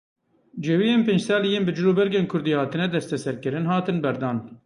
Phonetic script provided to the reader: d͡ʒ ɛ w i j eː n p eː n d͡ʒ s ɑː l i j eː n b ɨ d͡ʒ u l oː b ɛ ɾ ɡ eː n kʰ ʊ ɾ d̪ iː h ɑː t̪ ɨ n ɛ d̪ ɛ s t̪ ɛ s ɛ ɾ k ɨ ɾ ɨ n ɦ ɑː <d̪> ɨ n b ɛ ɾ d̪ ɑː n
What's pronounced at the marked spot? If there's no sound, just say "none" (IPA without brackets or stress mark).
t̪